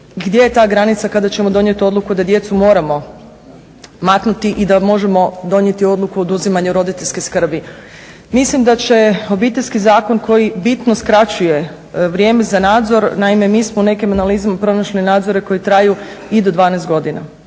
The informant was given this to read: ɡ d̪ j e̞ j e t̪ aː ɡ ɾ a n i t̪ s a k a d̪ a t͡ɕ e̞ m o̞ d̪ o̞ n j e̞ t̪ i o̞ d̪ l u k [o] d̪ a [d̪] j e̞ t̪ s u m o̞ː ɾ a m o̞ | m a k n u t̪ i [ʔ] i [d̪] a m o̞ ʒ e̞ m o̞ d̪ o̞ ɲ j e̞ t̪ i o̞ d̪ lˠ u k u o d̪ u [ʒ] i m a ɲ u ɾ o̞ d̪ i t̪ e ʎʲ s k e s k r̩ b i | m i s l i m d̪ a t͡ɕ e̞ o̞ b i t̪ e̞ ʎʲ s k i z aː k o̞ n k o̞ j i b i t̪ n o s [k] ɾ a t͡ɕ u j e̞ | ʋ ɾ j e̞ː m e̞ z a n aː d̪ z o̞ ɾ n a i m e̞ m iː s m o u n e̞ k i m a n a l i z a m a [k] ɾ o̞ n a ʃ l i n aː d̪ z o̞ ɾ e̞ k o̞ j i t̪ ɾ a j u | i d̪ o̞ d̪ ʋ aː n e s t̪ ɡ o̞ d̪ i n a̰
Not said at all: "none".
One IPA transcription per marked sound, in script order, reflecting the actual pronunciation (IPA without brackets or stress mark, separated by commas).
u, d̪, ʔ, d̪, z, k, p